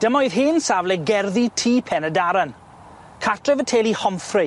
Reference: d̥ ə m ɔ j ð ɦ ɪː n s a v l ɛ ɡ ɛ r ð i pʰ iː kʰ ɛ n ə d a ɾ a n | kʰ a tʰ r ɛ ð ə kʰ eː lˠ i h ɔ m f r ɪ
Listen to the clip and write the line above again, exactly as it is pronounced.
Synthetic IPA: d̥ ə m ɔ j ð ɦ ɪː n s a v l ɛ ɡ ɛ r ð i tʰ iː pʰ ɛ n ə d a ɾ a n | kʰ a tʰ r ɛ v ə tʰ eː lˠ i h ɔ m f r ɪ

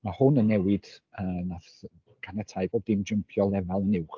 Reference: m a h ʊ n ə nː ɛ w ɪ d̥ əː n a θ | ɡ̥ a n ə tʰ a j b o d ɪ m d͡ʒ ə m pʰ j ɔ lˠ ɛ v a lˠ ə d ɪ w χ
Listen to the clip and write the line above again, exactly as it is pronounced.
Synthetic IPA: m a h ʊ n ə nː ɛ w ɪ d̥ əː n a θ | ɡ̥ a n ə tʰ a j b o d ɪ m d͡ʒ ə m pʰ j ɔ lˠ ɛ v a lˠ ə n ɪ w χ

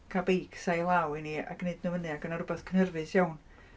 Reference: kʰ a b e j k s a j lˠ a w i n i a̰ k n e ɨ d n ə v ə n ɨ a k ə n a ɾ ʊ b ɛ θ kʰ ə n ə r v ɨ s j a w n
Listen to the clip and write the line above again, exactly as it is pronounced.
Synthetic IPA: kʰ a b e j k s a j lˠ a w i n i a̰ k n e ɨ d n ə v ə n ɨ a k ə n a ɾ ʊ b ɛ θ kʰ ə n ə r v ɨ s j a w n

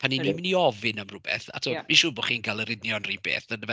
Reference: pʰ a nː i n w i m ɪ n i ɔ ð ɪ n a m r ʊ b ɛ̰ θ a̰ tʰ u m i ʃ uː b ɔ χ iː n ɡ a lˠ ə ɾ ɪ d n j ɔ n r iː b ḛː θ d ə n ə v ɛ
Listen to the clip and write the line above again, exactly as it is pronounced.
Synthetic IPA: pʰ a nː i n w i m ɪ n i ɔ v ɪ n a m r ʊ b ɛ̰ θ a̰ tʰ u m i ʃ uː b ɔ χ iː n ɡ a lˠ ə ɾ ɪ d n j ɔ n r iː b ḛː θ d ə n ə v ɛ

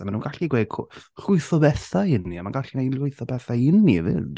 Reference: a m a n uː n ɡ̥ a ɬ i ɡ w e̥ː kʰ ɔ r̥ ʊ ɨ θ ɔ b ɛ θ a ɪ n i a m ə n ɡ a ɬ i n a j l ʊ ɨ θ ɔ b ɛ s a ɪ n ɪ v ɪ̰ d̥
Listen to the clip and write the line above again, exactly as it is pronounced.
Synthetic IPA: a m a n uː n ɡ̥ a ɬ i ɡ w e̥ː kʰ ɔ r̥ ʊ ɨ θ ɔ b ɛ θ a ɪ n i a m a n ɡ a ɬ i n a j l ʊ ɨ θ ɔ b ɛ θ a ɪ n i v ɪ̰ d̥

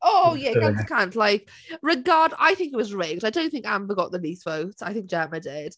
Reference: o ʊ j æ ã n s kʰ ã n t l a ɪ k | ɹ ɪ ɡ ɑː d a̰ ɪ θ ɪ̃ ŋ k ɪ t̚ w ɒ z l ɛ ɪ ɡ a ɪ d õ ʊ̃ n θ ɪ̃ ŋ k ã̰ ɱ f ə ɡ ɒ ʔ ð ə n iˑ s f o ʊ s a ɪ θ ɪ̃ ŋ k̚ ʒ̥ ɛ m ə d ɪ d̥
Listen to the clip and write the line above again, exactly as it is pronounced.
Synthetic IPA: o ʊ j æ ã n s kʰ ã n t l a ɪ k | ɹ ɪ ɡ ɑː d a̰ ɪ θ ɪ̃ ŋ k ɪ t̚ w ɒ z ɹ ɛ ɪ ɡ a ɪ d õ ʊ̃ n θ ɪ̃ ŋ k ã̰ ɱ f ə ɡ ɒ ʔ ð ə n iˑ s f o ʊ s a ɪ θ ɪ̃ ŋ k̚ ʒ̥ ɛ m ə d ɪ d̥

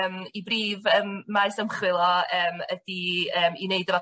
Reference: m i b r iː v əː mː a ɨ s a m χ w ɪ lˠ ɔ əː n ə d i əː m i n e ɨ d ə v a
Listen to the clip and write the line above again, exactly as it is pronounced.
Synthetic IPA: m i b r iː v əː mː a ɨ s ə m χ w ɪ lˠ ɔ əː m ə d i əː m i n e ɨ d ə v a

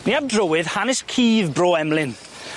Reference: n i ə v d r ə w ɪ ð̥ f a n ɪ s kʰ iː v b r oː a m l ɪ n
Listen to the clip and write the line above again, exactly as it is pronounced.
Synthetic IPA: n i a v d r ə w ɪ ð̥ h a n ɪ s kʰ iː v b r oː ɛ m l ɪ n

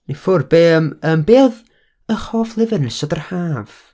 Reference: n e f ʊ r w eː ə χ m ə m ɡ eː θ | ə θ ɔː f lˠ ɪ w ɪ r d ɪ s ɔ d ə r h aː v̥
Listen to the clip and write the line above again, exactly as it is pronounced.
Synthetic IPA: n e f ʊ r b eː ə m ə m b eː ð | ə χ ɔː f lˠ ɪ v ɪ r n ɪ s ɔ d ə r h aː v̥

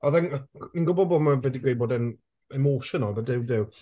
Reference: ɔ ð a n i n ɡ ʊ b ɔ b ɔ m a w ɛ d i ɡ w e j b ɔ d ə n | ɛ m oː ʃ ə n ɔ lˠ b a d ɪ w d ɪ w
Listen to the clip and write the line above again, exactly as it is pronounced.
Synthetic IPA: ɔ ð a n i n ɡ ʊ b ɔ b ɔ m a v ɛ d i ɡ w e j b ɔ d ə n | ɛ m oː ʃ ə n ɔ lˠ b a d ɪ w d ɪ w

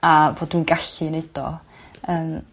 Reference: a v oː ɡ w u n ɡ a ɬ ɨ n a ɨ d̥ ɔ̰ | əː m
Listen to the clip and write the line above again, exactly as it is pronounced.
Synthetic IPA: a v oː d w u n ɡ a ɬ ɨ n e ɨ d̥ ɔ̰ | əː m

